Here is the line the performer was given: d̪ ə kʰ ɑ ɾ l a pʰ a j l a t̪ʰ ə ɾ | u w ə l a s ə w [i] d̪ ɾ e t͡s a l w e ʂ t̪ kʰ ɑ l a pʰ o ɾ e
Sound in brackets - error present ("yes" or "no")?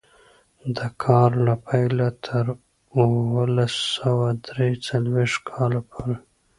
yes